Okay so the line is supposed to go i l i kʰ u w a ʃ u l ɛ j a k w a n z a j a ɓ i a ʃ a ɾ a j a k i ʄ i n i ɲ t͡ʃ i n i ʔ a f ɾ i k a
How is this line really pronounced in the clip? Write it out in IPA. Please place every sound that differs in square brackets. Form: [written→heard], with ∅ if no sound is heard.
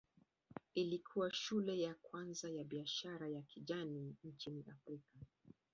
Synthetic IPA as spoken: i l i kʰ u w a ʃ u l ɛ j a k w a n z a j a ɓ i a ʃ a ɾ a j a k i ʄ [i→a] n i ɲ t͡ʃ i n i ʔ a f ɾ i k a